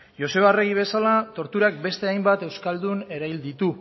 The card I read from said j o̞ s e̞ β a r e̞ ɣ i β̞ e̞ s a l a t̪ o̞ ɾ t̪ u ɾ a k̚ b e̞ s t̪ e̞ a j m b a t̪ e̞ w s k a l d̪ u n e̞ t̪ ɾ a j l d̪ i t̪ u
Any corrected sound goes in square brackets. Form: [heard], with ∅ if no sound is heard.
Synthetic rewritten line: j o̞ s e̞ β a r e̞ ɣ i β̞ e̞ s a l a t̪ o̞ ɾ t̪ u ɾ a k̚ b e̞ s t̪ e̞ a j m b a t̪ e̞ w s k a l d̪ u n e̞ [∅] ɾ a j l d̪ i t̪ u